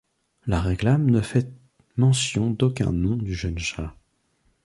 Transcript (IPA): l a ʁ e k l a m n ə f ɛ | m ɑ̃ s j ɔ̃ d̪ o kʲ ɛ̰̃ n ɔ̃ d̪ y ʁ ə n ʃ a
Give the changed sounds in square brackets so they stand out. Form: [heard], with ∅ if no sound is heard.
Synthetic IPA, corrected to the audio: l a ʁ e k l a m n ə f ɛ | m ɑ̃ s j ɔ̃ d̪ o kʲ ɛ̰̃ n ɔ̃ d̪ y [ʒ] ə n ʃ a